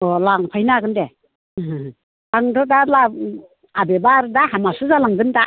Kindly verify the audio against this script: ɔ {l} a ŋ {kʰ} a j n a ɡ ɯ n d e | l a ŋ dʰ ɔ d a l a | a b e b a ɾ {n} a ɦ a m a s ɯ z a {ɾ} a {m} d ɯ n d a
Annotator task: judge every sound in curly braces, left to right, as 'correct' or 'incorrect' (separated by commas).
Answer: correct, incorrect, incorrect, incorrect, incorrect